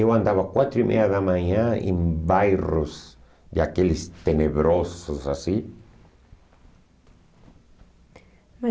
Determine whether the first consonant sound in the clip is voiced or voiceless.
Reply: voiced